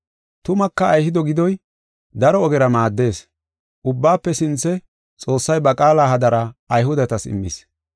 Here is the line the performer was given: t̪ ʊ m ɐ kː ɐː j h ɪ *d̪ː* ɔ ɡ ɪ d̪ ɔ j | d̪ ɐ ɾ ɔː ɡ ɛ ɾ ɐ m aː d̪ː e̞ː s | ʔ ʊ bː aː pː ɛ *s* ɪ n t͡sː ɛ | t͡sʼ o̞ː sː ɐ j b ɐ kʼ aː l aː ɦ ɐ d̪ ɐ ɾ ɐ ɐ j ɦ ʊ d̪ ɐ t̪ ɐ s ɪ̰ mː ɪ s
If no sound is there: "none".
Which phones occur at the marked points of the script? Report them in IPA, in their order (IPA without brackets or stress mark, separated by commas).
d̪, s